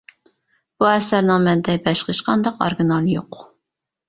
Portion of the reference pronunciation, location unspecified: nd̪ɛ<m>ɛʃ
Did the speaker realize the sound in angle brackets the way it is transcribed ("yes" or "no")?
no